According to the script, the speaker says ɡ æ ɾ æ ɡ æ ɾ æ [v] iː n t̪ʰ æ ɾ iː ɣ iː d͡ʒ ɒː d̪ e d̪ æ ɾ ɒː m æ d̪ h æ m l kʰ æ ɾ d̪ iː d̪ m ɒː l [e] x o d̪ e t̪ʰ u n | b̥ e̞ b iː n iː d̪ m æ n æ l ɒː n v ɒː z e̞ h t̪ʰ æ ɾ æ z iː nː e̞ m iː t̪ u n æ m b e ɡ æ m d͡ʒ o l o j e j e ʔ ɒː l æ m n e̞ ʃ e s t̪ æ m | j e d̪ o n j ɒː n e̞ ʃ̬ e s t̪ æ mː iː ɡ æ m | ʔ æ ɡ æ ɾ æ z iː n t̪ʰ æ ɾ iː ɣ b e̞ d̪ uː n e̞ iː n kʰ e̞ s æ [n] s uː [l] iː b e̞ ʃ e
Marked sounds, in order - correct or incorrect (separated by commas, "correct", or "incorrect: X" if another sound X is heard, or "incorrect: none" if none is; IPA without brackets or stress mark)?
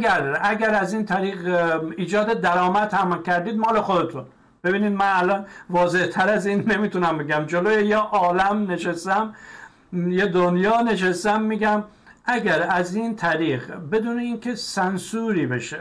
incorrect: z, correct, correct, incorrect: ɾ